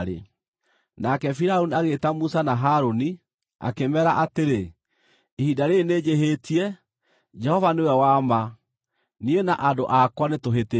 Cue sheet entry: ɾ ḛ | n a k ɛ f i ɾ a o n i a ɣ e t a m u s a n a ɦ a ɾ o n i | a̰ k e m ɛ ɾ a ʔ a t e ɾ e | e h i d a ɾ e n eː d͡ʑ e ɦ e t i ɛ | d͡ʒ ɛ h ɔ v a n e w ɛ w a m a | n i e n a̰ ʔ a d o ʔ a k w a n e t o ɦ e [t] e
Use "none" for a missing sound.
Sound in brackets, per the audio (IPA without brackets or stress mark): t